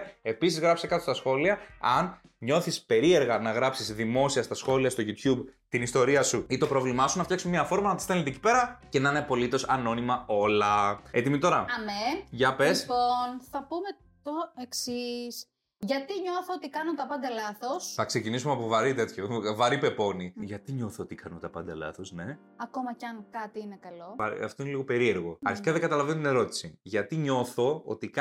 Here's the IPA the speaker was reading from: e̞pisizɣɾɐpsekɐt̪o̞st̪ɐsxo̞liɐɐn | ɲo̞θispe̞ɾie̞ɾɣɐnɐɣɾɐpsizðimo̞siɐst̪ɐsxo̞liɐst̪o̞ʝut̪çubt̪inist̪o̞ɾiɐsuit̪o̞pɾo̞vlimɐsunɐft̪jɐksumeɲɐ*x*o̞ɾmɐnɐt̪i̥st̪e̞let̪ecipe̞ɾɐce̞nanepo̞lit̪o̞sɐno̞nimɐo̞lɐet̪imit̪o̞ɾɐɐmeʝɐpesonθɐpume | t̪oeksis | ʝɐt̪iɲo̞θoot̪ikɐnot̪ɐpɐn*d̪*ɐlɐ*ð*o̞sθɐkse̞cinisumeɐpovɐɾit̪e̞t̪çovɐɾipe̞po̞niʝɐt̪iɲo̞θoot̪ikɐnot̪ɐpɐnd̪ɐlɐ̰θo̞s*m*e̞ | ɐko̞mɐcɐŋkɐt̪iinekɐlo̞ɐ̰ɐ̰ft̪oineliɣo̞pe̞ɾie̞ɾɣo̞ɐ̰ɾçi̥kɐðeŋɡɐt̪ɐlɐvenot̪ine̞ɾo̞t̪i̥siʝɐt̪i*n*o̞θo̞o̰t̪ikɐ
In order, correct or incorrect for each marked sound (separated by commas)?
incorrect, correct, incorrect, incorrect, incorrect